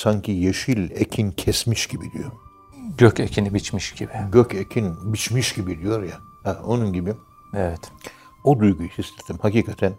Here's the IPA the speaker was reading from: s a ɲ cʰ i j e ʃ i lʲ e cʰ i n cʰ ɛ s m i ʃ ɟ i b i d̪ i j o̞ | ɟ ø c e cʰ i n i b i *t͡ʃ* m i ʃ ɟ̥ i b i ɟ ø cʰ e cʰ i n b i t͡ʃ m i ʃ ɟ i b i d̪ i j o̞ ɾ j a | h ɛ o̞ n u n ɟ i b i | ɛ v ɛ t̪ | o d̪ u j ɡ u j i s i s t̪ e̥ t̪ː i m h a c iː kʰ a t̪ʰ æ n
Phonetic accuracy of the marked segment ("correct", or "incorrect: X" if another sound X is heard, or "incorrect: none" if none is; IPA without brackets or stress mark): correct